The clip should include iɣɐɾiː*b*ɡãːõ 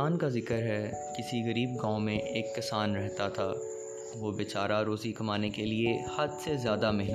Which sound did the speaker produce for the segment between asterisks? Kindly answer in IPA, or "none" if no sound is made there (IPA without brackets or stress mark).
b